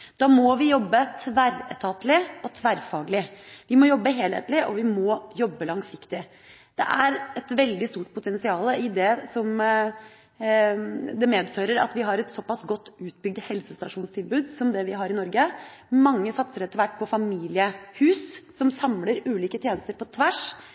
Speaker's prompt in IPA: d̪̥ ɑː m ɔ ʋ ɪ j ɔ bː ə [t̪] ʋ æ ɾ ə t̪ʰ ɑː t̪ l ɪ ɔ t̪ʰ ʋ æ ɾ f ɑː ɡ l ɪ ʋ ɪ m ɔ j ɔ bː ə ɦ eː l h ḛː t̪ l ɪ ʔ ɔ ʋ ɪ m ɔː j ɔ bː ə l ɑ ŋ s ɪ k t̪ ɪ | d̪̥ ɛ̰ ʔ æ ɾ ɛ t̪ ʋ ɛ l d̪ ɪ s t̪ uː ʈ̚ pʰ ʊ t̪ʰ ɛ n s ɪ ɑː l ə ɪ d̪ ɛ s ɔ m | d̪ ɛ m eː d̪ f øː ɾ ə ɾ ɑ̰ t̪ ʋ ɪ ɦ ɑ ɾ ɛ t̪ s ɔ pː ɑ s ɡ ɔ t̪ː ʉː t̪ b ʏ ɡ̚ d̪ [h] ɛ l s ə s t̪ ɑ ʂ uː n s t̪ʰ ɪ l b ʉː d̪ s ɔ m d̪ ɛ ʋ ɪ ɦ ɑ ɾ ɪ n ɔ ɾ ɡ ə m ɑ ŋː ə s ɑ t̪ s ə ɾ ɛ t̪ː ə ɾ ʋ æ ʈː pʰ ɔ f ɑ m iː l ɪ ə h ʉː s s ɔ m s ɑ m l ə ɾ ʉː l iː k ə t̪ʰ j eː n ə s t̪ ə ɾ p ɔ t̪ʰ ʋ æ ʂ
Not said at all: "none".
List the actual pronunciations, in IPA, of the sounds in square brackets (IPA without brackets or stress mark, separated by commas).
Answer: t̪ʰ, h